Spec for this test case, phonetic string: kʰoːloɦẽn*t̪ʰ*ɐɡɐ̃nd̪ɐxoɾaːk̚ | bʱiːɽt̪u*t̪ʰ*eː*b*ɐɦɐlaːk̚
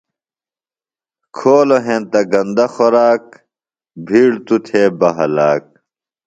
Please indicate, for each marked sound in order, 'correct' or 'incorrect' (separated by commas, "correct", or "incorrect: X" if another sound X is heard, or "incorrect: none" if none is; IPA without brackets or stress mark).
incorrect: t̪, correct, correct